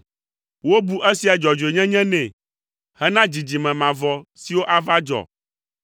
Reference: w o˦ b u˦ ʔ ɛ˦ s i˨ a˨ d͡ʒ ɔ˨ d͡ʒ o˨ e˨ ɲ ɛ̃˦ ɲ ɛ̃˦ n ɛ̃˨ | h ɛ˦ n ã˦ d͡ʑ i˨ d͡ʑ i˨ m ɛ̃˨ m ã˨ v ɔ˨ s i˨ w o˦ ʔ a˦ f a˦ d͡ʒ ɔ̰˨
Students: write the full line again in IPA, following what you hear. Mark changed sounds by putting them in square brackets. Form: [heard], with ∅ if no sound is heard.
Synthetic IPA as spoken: w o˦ b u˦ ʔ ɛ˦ s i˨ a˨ d͡ʒ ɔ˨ d͡ʒ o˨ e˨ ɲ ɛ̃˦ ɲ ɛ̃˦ n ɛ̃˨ | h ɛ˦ n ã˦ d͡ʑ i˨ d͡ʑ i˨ m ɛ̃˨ m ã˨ v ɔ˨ s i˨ w o˦ ʔ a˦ [v] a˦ d͡ʒ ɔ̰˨